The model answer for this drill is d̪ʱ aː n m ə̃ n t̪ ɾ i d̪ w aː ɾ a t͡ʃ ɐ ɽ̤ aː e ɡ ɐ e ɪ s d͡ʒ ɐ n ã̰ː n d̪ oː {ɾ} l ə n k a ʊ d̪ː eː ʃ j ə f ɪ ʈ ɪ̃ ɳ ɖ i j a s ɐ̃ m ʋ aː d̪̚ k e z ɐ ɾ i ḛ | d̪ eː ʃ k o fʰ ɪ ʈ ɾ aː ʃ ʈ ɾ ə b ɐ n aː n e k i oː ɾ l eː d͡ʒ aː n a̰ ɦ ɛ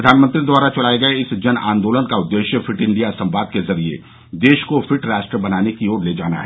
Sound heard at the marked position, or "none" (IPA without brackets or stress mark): none